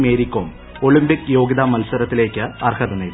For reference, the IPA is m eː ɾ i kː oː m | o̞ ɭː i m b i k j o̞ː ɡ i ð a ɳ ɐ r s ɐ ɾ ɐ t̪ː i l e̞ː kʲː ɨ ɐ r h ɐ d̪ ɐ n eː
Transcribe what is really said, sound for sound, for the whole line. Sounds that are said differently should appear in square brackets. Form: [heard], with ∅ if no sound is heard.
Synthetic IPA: m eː ɾ i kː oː m | o̞ [ɭ] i m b i k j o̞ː ɡ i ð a [m] ɐ [l] s ɐ ɾ ɐ t̪ː i l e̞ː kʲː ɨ ɐ r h ɐ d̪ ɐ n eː